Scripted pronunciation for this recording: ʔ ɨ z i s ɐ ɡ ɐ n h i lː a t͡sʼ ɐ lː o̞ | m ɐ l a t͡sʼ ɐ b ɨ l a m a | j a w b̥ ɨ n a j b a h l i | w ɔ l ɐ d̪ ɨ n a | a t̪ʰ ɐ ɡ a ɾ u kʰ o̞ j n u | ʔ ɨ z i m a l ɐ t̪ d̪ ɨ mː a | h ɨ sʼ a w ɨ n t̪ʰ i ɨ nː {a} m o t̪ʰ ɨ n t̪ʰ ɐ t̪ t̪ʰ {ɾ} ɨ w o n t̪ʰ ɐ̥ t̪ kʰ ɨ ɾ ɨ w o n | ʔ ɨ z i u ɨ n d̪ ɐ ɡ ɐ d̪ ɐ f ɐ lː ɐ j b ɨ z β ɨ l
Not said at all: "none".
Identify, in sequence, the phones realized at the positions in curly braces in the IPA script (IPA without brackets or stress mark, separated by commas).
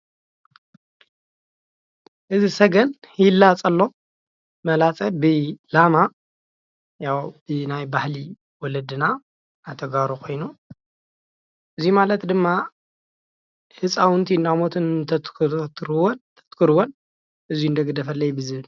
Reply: a, ɾ